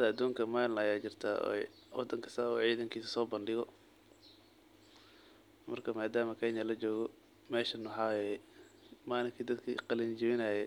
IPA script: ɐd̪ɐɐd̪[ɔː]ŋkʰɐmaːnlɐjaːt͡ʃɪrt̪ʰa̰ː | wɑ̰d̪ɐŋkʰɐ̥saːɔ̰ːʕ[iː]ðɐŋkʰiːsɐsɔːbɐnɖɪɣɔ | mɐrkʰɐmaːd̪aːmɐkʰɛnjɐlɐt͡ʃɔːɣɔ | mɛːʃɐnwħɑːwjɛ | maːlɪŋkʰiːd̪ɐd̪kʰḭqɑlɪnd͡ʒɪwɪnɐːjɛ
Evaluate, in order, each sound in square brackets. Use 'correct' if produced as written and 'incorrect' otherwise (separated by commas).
incorrect, correct